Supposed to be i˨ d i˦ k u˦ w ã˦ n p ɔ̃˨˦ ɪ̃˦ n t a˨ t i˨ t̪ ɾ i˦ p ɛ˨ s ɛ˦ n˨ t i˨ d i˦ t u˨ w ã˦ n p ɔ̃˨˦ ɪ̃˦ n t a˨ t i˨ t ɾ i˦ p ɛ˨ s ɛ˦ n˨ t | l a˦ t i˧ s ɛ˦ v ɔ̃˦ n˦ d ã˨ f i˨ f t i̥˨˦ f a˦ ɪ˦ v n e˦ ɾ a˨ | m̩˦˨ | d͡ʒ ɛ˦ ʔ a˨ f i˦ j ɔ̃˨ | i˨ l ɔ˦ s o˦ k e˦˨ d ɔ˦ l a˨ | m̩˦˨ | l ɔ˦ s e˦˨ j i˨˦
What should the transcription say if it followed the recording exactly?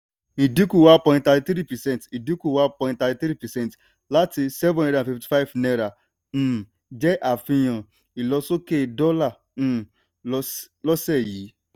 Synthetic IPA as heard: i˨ d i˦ k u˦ w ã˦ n p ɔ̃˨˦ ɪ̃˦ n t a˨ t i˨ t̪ ɾ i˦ p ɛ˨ s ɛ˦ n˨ t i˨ d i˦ k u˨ w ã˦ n p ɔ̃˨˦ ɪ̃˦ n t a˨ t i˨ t ɾ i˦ p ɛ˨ s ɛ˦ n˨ t | l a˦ t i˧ s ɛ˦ v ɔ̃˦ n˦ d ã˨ f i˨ f t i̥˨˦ f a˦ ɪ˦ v n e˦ ɾ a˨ | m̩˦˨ | d͡ʒ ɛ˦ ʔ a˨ f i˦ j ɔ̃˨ | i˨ l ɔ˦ s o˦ k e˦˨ d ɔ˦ l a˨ | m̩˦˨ | l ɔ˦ s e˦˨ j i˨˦